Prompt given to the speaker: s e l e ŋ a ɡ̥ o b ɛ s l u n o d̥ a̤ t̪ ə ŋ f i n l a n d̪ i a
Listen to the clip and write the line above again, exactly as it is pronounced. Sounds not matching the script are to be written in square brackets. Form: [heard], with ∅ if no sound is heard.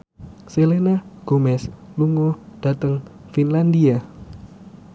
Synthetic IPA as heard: s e l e [n] a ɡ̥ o [m] ɛ s l u [ŋ] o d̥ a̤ t̪ ə ŋ f i n l a n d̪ i a